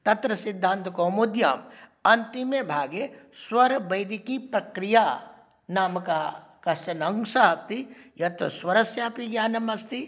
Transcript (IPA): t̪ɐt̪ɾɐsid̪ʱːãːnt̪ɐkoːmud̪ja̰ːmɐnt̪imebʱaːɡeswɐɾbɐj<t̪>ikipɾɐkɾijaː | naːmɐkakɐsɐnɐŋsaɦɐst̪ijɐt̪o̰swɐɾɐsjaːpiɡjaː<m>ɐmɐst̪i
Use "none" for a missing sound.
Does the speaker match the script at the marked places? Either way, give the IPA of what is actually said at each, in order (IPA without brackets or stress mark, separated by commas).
d̪, n